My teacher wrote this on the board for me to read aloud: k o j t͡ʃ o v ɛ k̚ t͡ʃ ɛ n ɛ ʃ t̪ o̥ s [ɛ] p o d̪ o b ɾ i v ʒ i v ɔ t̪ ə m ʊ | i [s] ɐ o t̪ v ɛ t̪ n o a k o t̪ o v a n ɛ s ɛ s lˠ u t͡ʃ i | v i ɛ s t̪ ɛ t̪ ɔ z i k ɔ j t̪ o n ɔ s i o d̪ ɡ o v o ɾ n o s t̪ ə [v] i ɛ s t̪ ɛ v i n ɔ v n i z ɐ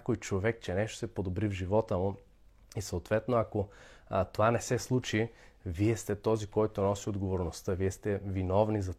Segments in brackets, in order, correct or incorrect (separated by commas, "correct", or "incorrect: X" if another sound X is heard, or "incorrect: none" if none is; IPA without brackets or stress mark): correct, correct, correct